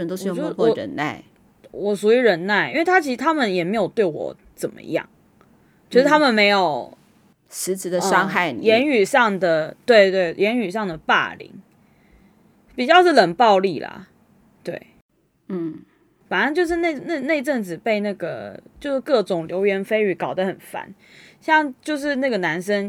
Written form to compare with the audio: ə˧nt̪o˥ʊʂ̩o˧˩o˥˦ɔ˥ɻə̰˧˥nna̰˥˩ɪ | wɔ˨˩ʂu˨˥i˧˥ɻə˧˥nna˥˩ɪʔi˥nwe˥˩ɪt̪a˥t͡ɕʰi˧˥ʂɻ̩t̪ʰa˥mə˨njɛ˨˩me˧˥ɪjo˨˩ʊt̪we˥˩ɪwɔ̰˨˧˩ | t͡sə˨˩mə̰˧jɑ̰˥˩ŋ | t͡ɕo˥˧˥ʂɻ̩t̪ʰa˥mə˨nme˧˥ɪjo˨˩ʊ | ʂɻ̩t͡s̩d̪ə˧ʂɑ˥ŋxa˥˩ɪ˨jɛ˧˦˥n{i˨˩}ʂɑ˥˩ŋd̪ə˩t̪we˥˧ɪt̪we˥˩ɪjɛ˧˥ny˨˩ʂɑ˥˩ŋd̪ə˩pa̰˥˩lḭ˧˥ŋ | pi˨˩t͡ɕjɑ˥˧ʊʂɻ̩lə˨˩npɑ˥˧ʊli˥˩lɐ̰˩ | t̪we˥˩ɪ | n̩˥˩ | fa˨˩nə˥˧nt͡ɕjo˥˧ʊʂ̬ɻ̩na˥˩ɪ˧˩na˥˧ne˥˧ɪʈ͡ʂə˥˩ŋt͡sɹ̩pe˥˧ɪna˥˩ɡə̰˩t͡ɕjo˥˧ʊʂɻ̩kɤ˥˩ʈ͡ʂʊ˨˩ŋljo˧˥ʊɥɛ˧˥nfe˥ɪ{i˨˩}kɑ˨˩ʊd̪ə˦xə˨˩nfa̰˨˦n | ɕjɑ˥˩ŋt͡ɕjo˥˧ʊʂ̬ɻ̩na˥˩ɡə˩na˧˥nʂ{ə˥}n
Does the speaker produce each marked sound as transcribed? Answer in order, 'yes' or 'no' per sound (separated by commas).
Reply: no, no, yes